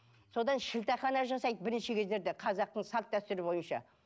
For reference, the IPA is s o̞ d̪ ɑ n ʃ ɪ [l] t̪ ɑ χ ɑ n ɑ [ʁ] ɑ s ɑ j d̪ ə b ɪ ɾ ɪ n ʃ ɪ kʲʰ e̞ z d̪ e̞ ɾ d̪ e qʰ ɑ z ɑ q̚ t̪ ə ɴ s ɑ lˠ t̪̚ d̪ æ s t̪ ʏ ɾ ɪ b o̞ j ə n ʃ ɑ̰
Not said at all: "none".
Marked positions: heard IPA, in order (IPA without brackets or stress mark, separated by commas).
l, ʒ